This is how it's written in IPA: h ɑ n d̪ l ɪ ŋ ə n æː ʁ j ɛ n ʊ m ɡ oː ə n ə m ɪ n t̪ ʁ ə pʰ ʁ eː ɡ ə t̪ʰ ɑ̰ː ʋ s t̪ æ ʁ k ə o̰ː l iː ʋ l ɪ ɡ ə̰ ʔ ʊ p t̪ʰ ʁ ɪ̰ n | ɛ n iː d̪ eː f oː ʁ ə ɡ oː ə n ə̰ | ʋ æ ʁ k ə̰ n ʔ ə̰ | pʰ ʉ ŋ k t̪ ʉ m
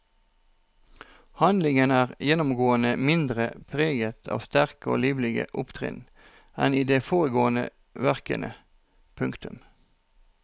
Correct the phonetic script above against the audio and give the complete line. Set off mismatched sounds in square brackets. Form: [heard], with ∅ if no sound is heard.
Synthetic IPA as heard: h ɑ n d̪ l ɪ ŋ ə n æː ʁ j ɛ n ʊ m ɡ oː ə n ə m ɪ n [d̪] ʁ ə pʰ ʁ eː ɡ ə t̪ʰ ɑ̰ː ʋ s t̪ æ ʁ k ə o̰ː l iː ʋ l ɪ ɡ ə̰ ʔ ʊ p t̪ʰ ʁ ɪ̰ n | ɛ n iː d̪ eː f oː ʁ ə ɡ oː ə n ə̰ | ʋ æ ʁ k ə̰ n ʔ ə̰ | pʰ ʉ ŋ k t̪ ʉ m